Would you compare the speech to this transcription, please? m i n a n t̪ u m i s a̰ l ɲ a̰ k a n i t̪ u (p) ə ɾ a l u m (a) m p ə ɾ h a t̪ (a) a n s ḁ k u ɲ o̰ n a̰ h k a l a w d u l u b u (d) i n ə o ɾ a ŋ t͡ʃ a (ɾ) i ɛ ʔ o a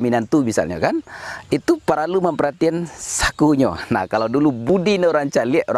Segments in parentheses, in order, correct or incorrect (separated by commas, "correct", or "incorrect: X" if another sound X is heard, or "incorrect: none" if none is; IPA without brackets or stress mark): correct, incorrect: ə, incorrect: i, correct, incorrect: l